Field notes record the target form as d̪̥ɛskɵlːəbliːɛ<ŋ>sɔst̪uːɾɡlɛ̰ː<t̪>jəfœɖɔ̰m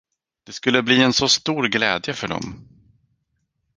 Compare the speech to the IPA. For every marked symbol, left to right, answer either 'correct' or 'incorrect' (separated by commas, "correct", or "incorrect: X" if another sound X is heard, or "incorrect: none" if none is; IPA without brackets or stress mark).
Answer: incorrect: n, incorrect: d̪